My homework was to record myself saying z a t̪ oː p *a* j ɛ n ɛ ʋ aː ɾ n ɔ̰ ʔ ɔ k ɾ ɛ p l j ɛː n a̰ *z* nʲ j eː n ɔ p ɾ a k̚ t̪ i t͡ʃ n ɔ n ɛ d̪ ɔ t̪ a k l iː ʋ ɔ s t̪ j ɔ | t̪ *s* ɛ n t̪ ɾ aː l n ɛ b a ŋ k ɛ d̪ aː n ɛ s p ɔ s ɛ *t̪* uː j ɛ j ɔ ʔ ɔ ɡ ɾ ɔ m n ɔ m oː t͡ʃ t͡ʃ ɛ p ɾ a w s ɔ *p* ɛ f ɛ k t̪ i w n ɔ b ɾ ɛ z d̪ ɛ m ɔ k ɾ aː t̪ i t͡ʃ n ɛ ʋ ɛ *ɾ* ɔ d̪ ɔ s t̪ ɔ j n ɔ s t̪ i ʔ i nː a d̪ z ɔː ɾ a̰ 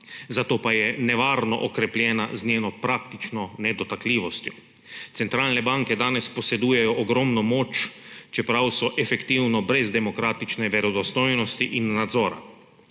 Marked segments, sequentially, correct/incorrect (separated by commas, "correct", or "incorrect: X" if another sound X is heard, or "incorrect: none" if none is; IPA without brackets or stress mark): correct, correct, correct, incorrect: d̪, incorrect: ʔ, correct